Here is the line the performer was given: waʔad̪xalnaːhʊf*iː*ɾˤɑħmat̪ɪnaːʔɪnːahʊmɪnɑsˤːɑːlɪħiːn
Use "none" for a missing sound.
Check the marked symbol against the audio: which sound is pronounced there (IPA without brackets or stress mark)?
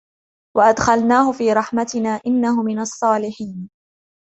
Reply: iː